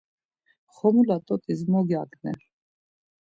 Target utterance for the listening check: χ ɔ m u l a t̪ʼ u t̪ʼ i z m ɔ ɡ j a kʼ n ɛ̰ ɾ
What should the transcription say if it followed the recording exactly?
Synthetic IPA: χ ɔ m u l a t̪ʼ ɔ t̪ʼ i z m ɔ ɡ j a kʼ n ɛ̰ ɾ

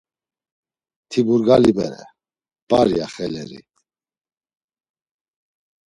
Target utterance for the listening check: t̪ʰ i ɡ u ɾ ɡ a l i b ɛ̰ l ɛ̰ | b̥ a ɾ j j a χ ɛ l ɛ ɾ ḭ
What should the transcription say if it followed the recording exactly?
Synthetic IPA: t̪ʰ i b u ɾ ɡ a l i b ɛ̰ ɾ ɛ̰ | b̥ a ɾ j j a χ ɛ l ɛ ɾ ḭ

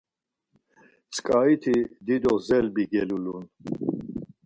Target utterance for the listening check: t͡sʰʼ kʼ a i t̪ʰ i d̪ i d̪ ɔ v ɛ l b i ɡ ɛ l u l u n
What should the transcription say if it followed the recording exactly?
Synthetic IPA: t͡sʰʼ kʼ a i t̪ʰ i d̪ i d̪ ɔ z ɛ l b i ɡ ɛ l u l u n

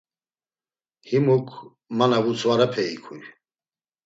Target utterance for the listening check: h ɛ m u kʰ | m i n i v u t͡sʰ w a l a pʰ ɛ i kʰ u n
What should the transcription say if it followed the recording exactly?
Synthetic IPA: h i m u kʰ | m a n a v u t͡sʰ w a ɾ a pʰ ɛ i kʰ u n

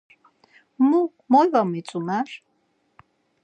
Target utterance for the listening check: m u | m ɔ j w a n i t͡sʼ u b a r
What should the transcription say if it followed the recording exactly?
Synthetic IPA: m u | m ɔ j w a m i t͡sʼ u m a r

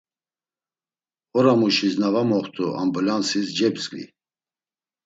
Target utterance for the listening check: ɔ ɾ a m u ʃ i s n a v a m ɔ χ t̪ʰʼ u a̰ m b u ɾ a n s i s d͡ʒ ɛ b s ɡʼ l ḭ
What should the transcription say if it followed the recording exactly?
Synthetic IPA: ɔ ɾ a m u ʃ i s n a v a m ɔ χ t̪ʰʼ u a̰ m b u l a n s i s d͡ʒ ɛ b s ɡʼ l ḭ

